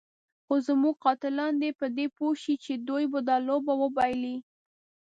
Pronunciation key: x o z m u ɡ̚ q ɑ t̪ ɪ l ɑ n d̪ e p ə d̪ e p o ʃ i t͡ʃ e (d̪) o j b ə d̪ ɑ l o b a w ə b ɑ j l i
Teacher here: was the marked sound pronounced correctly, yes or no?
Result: yes